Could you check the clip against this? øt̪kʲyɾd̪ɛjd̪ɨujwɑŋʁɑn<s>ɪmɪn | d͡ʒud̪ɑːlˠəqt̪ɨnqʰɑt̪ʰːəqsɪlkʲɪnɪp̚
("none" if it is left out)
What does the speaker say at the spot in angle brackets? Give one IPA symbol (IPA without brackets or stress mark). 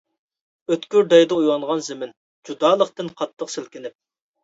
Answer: z